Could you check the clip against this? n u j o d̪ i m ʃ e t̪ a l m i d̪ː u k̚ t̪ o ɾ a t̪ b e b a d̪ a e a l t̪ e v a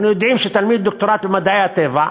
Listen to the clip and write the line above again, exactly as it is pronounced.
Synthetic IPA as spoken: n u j o d̪ i m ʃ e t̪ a l m i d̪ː o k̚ t̪ o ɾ a t̪ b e m a d̪ a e a t̪ e v a